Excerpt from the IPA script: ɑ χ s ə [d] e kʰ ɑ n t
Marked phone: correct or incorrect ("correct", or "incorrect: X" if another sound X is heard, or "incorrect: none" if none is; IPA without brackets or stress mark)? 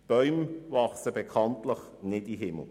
incorrect: b